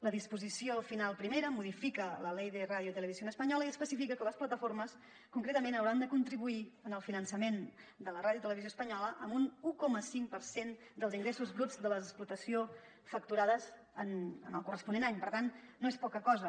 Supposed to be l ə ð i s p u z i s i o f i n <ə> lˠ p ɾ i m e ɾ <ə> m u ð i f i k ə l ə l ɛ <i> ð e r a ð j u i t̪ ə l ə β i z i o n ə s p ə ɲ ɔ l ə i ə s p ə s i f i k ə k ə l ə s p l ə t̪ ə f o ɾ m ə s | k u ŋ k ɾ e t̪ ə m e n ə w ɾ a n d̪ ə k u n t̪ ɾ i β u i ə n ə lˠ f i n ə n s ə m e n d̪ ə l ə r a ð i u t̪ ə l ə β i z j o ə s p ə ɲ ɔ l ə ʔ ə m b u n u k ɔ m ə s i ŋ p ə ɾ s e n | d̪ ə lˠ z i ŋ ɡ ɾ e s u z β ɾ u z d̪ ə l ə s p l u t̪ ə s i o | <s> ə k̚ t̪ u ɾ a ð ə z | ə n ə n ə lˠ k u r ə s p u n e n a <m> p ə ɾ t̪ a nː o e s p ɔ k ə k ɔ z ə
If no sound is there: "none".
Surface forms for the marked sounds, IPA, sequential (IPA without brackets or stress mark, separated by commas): a, ə, j, f, ɲ